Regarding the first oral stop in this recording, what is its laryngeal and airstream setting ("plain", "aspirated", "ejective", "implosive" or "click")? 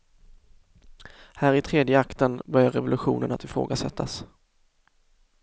aspirated